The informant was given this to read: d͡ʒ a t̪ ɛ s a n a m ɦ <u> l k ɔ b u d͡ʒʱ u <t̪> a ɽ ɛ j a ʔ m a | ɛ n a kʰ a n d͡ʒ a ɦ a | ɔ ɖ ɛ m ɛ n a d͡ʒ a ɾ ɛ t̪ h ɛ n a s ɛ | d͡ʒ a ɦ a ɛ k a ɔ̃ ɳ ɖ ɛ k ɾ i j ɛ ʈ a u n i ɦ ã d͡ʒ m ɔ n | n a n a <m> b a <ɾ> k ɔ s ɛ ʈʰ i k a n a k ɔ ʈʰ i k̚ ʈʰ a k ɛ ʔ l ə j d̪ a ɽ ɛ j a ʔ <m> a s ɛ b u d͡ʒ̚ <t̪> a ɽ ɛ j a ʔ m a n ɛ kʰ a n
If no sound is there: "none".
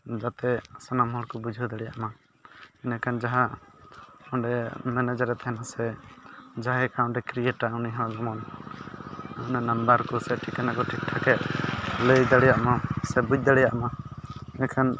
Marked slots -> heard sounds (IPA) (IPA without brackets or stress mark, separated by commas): ɔ, d̪, m, ɾ, m, d̪